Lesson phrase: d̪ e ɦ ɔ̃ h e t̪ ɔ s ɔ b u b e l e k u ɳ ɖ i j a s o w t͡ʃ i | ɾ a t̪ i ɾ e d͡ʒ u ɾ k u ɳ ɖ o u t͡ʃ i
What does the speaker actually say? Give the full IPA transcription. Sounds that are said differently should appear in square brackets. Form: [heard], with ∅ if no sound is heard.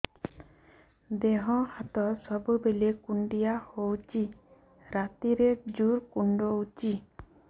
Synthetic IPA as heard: d̪ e ɦ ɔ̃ h [a] t̪ ɔ s ɔ b u b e l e k u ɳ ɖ i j a [h] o w t͡ʃ i | ɾ a t̪ i ɾ e d͡ʒ u ɾ k u ɳ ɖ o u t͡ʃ i